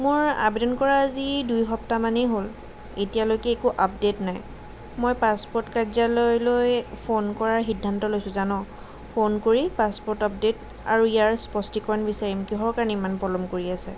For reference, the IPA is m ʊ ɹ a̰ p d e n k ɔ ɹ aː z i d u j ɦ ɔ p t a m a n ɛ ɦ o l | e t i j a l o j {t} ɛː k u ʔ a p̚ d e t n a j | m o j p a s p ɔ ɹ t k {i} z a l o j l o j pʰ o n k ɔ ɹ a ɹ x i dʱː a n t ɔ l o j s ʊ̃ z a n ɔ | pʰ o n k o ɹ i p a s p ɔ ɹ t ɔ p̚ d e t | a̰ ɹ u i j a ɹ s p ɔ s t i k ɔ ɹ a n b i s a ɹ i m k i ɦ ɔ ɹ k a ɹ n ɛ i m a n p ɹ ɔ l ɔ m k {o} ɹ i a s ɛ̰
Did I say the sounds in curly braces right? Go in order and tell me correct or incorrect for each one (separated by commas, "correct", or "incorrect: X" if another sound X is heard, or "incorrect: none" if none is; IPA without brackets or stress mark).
incorrect: k, incorrect: a, correct